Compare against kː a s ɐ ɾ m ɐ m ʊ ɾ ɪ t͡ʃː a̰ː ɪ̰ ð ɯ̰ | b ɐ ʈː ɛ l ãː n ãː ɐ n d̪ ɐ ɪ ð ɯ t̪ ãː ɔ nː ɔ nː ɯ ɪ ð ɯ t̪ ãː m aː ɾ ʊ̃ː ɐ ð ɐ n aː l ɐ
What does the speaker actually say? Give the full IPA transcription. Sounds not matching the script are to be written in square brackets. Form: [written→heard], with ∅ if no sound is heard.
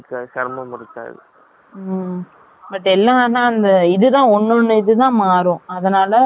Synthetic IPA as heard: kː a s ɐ ɾ m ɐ m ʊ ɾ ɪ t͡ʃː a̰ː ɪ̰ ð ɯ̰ | b ɐ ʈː ɛ [l→lː] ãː n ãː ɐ n d̪ ɐ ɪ ð ɯ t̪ ãː ɔ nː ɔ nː ɯ ɪ ð ɯ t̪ ãː m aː ɾ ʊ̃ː ɐ ð ɐ n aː l ɐ